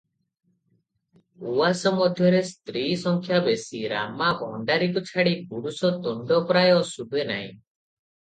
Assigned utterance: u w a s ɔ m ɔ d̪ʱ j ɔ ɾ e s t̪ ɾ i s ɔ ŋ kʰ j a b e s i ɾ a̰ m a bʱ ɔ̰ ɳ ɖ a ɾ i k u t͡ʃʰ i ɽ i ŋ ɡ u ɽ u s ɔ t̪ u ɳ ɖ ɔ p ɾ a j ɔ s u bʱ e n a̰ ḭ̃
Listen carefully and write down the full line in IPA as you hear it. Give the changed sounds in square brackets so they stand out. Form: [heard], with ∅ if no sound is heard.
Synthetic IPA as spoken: u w a s ɔ m ɔ d̪ʱ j ɔ ɾ e s t̪ ɾ i s ɔ ŋ kʰ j a b e s i ɾ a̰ m a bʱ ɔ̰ ɳ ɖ a ɾ i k u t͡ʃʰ [a] ɽ i [∅] ɡ u ɽ u s ɔ t̪ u ɳ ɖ ɔ p ɾ a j ɔ s u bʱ e n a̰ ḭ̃